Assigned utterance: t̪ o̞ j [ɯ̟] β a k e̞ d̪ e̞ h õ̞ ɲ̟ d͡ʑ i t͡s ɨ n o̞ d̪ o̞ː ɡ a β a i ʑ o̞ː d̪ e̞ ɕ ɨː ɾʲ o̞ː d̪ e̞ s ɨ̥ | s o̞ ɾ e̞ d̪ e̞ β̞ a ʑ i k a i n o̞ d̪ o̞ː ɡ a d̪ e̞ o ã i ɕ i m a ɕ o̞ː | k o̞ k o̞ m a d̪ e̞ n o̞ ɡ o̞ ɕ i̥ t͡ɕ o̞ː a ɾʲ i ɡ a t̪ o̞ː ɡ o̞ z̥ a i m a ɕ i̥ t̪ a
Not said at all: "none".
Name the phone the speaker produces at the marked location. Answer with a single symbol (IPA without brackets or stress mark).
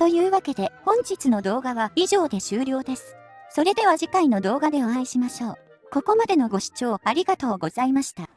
ɯ̟ː